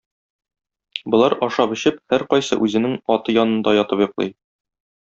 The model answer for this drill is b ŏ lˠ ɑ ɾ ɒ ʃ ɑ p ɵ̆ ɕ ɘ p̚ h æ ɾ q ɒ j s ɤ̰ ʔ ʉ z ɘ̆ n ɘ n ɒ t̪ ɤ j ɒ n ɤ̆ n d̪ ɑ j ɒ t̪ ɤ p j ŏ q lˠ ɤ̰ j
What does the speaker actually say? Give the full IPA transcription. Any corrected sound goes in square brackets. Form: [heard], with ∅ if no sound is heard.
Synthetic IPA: b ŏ lˠ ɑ ɾ ɒ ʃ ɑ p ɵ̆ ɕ ɘ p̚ h æ ɾ q ɒ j s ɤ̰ ʔ ʉ z ɘ̆ n ɘ [ŋ] ɒ t̪ ɤ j ɒ n ɤ̆ n d̪ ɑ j ɒ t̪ ɤ p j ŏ q lˠ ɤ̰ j